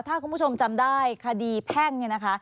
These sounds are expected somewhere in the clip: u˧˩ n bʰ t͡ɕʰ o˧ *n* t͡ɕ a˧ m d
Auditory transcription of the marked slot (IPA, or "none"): m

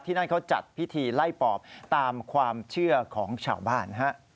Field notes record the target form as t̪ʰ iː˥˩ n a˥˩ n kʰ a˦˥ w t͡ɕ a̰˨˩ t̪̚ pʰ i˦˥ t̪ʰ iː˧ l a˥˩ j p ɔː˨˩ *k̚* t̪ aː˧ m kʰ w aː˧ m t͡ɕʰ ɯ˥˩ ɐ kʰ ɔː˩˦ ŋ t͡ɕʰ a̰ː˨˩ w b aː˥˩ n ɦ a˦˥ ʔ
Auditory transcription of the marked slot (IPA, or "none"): p̚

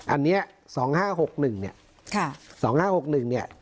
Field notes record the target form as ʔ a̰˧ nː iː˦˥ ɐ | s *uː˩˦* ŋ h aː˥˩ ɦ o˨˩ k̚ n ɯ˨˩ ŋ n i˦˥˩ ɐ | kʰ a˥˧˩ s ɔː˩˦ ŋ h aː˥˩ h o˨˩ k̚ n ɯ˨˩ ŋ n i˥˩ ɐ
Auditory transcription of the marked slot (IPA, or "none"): ɔː˩˦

